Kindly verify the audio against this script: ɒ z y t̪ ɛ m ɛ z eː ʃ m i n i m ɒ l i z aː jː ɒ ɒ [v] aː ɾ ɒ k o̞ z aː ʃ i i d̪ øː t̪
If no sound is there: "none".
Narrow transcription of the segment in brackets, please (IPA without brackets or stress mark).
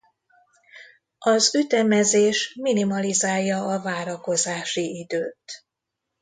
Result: v